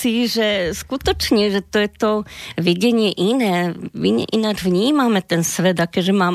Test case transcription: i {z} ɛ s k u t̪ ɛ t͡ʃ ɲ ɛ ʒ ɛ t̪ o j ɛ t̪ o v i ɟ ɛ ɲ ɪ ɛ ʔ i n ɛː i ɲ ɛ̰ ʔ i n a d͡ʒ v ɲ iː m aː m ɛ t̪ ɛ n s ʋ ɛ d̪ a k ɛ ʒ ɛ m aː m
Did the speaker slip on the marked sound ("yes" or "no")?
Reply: yes